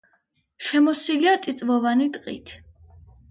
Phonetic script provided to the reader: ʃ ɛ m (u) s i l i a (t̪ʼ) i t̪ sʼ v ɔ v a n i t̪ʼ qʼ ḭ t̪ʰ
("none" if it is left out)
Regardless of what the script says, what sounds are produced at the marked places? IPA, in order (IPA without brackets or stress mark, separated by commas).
ɔ, t̪ʼ